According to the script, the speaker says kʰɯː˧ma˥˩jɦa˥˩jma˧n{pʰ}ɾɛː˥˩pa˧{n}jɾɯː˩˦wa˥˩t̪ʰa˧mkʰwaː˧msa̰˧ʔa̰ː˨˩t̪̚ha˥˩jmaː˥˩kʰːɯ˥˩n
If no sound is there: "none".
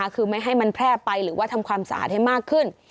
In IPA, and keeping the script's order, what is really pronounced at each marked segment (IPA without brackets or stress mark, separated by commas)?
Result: pʰ, none